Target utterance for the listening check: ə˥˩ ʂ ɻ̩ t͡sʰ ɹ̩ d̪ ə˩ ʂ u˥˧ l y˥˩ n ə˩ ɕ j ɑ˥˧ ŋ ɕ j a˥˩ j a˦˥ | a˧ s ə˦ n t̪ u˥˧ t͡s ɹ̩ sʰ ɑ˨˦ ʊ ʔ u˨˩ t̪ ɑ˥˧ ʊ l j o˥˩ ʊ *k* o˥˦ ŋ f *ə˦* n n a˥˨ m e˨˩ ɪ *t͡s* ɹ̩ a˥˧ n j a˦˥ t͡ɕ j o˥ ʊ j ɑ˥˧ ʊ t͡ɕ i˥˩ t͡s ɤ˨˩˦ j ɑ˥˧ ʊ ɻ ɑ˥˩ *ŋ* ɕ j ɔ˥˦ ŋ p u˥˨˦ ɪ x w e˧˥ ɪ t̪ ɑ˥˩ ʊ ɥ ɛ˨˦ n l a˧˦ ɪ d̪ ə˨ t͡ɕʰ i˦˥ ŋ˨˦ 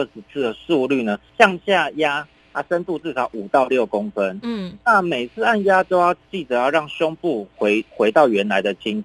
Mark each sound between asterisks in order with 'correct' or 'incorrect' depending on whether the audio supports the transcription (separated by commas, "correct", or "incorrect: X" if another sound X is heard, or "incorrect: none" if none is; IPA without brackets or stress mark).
correct, correct, incorrect: t͡sʰ, correct